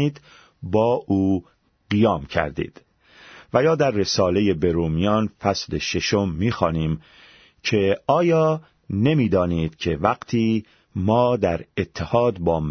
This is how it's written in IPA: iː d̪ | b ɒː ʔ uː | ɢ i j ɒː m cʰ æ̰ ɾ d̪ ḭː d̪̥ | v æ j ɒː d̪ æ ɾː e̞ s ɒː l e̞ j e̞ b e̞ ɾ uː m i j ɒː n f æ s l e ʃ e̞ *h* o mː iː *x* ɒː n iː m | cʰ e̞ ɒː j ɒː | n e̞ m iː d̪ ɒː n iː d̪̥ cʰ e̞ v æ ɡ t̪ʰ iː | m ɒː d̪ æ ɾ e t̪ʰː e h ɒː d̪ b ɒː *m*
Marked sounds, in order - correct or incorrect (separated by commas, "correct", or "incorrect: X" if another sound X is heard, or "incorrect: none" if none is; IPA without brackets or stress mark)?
incorrect: ʃ, correct, correct